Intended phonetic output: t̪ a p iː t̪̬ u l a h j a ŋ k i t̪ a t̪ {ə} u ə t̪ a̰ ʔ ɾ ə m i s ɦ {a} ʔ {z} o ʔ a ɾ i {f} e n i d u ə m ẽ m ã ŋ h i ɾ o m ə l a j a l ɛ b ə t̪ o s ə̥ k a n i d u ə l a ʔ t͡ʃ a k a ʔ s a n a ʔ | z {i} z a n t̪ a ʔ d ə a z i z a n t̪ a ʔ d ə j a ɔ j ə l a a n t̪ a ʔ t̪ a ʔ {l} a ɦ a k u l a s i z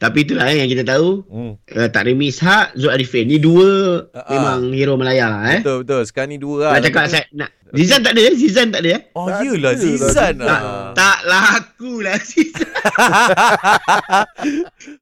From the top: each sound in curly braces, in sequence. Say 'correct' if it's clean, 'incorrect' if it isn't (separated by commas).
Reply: incorrect, correct, correct, correct, correct, correct